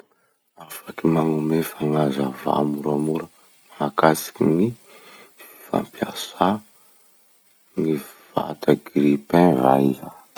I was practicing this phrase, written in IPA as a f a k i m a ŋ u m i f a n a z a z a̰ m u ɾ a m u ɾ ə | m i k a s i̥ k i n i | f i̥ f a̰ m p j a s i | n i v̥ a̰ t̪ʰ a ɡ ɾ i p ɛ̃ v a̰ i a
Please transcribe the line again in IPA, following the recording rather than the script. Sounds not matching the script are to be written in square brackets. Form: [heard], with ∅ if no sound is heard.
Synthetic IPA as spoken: a f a k i m a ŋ u m [e] f a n a z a [v] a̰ m u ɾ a m u ɾ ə | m [a] k a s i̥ k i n i | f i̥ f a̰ m p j a s [a] | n i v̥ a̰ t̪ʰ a ɡ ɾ i p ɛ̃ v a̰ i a